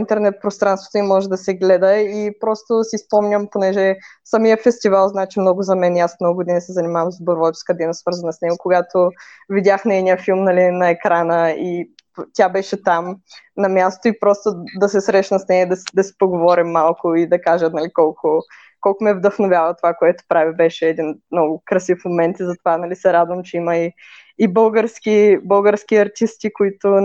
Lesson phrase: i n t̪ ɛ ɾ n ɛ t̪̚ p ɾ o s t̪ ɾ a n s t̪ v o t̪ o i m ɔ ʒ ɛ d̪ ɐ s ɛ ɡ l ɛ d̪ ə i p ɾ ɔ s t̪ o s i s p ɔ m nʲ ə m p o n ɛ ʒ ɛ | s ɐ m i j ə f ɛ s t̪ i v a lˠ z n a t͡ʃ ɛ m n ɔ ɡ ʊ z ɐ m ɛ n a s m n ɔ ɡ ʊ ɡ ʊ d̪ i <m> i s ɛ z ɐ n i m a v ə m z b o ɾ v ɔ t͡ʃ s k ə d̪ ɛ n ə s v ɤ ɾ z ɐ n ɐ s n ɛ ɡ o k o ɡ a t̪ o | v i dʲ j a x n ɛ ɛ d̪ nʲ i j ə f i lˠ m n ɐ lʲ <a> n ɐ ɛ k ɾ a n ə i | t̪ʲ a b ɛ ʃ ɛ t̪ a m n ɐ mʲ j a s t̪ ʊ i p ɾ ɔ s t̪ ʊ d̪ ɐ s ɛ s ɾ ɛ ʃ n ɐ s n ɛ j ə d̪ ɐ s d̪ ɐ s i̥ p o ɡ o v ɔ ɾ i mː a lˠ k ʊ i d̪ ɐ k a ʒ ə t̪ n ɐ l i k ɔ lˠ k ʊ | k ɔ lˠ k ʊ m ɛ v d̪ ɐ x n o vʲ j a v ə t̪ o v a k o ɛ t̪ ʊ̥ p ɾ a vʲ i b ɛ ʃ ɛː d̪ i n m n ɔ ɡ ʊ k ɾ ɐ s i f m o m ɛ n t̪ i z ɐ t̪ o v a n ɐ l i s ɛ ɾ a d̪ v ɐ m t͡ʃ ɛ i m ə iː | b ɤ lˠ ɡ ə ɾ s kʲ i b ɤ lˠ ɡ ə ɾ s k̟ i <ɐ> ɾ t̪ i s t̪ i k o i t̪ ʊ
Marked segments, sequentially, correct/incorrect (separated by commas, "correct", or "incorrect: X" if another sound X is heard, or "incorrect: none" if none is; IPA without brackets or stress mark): incorrect: n, incorrect: i, correct